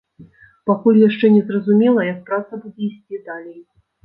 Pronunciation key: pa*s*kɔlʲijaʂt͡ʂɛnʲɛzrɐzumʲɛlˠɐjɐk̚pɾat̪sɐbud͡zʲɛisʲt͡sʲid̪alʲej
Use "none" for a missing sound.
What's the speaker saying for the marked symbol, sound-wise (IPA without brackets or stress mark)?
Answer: none